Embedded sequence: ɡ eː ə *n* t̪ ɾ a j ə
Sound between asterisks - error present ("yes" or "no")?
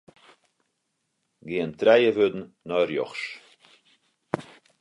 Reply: no